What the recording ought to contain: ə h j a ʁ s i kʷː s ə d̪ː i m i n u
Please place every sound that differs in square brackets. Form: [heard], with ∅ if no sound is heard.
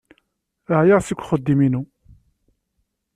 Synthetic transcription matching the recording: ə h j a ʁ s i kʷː [χ] ə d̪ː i m i n u